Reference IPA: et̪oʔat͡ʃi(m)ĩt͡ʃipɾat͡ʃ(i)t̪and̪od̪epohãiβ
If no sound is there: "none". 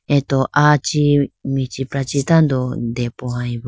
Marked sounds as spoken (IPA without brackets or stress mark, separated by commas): m, i